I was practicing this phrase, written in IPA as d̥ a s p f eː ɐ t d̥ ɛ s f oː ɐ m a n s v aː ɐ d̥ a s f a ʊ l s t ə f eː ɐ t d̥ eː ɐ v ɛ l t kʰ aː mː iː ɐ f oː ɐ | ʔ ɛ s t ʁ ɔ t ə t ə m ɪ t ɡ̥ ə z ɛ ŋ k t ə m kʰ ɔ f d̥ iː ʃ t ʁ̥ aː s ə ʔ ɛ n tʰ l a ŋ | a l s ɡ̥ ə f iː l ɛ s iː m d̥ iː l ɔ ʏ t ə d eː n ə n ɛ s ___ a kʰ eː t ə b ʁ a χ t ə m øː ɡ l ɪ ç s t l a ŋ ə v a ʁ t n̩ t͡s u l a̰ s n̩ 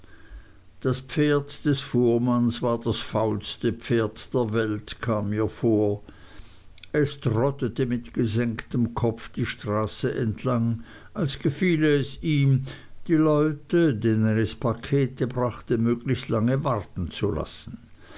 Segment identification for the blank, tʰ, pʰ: pʰ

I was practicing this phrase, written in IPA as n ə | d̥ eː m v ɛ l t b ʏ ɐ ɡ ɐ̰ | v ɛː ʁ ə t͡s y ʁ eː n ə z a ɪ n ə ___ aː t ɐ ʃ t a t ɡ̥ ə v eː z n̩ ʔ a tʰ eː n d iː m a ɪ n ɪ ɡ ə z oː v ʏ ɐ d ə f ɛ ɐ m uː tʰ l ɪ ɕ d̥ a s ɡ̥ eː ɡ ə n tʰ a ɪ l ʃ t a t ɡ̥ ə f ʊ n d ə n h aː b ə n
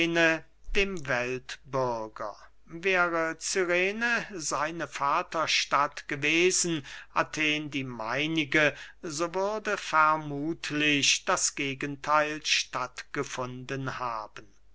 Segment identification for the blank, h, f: f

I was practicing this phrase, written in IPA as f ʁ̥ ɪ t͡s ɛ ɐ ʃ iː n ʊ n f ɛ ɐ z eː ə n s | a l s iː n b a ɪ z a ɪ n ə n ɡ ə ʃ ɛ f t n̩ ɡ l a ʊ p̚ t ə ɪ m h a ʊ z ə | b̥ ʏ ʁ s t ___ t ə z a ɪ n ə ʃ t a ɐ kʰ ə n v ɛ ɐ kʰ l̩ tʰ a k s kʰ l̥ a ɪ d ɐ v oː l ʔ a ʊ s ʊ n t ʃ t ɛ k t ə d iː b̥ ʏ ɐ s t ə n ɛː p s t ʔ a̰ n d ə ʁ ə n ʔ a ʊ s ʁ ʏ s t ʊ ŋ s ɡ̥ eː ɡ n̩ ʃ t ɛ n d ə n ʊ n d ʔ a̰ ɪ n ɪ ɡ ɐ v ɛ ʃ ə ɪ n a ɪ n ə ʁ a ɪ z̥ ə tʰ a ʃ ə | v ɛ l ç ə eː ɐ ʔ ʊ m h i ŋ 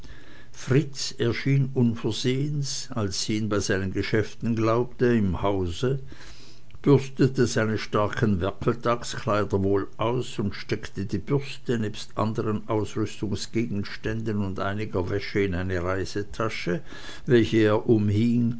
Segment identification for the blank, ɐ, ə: ə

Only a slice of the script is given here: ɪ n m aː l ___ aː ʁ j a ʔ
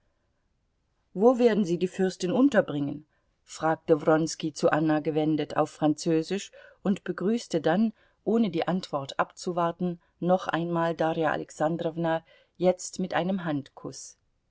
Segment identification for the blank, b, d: d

